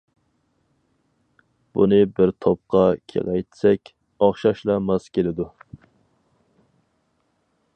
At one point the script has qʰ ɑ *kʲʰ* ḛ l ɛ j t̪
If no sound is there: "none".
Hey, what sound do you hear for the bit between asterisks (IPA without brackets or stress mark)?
kʲʰ